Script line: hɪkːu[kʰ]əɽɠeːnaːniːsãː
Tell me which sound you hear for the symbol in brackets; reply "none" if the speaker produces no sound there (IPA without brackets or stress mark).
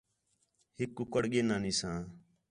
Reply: k